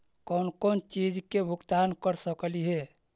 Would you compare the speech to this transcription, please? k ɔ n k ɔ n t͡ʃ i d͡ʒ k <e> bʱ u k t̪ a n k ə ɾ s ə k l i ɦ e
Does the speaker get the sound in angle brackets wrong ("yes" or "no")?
no